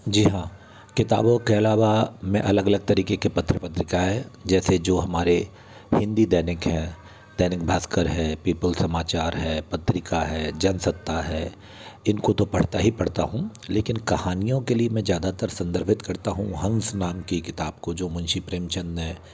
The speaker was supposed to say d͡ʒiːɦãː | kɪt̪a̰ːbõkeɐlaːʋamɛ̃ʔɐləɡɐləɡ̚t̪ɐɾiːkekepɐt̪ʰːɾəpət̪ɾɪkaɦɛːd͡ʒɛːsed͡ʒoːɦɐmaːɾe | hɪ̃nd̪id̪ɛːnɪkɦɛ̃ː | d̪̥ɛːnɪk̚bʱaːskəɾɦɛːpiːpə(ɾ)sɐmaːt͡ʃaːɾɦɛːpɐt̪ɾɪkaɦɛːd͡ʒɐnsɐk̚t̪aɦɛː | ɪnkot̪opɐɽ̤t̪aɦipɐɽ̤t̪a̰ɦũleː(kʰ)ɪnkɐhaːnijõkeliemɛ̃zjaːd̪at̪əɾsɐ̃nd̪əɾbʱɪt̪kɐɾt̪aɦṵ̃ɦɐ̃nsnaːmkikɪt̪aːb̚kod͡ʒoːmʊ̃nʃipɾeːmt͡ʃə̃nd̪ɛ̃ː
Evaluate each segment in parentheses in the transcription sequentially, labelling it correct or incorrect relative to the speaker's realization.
incorrect: l, incorrect: k

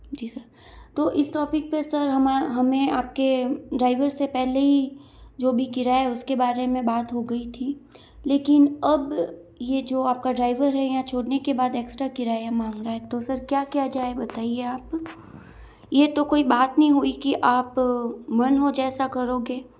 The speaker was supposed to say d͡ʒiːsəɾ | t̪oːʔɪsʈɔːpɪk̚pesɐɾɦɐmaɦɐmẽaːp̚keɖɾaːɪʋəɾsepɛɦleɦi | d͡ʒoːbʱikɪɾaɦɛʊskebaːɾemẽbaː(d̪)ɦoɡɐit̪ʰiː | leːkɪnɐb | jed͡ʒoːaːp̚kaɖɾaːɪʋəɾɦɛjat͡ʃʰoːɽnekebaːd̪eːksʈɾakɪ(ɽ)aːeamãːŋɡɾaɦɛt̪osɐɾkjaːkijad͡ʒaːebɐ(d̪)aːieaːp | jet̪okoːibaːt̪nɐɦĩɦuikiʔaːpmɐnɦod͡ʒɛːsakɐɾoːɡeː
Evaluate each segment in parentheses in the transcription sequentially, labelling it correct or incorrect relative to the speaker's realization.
incorrect: t̪, incorrect: ɾ, incorrect: t̪

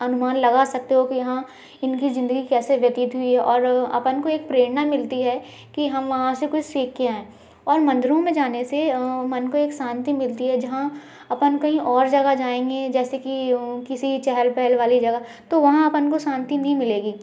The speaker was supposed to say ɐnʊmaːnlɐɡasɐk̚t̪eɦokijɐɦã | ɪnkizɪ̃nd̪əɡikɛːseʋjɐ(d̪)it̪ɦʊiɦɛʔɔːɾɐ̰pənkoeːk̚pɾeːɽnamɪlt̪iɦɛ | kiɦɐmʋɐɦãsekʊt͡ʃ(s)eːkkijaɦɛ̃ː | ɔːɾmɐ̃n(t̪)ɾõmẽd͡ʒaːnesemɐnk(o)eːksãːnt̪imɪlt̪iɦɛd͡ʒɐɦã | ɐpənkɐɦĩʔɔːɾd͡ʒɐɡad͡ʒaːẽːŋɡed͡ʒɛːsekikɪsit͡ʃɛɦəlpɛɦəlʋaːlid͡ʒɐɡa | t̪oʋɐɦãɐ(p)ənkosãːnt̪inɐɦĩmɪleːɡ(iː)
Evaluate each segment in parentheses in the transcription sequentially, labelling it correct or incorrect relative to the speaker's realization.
incorrect: t̪, correct, incorrect: d̪, correct, correct, correct

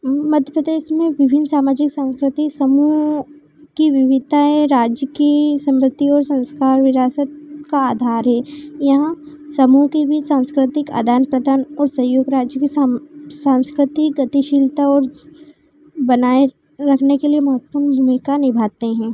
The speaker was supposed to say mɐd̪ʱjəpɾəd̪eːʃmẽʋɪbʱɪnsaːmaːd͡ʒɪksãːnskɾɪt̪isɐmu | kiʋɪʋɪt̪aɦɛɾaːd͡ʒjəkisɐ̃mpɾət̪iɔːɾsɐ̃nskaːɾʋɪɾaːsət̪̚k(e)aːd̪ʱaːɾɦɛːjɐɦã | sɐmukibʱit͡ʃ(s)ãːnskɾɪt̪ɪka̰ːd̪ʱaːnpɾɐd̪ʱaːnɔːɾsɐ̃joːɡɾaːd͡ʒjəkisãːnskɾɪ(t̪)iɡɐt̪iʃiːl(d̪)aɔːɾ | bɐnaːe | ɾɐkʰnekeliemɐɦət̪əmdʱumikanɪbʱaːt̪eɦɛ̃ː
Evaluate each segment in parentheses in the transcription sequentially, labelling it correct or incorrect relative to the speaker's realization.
incorrect: a, correct, correct, incorrect: t̪

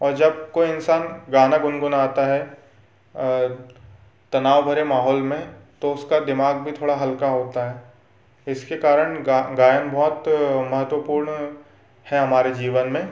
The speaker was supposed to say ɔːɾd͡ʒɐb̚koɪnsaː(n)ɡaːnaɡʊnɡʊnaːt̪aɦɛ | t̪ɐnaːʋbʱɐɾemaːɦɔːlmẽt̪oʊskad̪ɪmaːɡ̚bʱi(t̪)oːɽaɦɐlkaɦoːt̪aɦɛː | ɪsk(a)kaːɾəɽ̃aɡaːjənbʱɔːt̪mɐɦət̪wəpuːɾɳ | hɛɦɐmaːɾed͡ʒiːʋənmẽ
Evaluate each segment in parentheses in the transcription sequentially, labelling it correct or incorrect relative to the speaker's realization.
correct, incorrect: t̪ʰ, incorrect: e

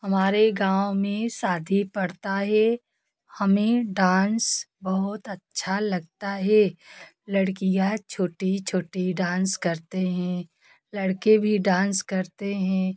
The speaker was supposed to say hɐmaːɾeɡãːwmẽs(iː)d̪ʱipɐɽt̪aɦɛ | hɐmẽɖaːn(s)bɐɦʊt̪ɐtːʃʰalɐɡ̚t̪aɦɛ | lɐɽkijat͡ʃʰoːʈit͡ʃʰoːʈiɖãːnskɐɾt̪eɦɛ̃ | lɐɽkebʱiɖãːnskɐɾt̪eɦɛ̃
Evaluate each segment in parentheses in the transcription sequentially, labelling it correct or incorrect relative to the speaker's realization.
incorrect: aː, correct

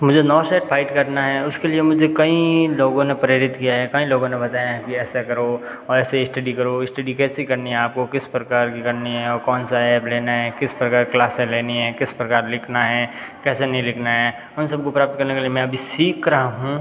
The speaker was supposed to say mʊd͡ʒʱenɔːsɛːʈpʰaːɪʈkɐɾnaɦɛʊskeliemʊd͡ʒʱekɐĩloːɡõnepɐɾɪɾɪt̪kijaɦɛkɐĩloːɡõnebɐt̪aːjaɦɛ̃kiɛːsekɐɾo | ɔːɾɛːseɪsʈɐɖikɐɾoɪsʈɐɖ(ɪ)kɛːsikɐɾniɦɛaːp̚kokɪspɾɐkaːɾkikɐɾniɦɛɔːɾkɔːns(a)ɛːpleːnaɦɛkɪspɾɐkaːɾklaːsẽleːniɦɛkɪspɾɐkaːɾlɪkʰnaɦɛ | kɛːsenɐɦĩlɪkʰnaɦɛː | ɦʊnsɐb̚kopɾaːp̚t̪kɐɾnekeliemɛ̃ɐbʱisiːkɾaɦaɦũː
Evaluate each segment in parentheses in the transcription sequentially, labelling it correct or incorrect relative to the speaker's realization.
incorrect: i, correct

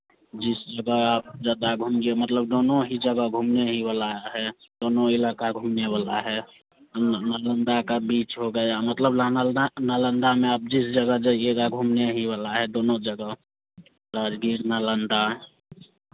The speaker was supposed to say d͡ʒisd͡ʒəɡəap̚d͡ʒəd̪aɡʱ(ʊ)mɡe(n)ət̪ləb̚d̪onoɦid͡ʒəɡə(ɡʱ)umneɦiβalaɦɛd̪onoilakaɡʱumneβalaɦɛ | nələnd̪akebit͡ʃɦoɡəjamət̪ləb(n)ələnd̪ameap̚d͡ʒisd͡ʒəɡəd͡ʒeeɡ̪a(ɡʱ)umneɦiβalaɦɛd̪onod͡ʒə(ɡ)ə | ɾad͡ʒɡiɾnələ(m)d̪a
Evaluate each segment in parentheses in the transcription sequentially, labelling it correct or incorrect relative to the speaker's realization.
incorrect: u, incorrect: m, correct, correct, correct, correct, incorrect: n

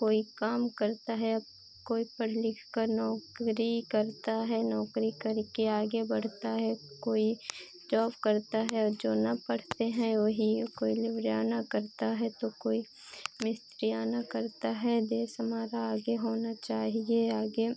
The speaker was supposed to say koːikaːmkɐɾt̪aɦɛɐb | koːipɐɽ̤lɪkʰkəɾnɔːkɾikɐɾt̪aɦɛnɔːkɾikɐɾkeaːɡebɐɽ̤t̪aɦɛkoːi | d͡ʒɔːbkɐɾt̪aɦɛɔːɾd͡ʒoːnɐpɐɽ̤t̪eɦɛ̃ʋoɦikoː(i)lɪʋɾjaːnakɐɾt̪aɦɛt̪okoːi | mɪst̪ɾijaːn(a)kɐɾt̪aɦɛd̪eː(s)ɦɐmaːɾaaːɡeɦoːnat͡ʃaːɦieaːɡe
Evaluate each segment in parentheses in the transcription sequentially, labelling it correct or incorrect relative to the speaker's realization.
correct, correct, correct

